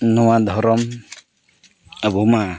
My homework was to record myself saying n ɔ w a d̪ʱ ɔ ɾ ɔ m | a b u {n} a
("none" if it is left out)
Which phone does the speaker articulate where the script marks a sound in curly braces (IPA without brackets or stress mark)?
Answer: m